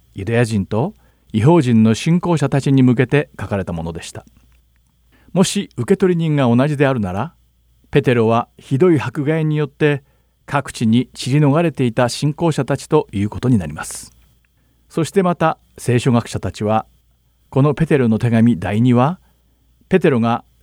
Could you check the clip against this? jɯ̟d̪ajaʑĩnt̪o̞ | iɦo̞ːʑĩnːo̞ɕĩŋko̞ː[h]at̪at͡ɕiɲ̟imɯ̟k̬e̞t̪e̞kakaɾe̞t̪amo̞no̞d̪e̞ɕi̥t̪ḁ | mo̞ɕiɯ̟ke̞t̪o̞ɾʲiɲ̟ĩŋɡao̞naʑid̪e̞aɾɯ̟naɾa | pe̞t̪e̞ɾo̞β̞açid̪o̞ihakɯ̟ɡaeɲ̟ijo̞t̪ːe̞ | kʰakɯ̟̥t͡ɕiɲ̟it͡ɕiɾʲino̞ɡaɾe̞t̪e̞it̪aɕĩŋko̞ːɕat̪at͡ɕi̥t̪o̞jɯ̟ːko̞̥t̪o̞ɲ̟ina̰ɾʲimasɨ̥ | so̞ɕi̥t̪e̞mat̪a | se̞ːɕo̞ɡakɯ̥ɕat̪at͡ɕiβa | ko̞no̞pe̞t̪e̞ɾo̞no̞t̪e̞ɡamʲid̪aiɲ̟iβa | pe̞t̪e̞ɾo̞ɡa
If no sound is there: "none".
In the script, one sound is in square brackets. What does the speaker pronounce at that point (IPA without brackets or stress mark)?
ɕ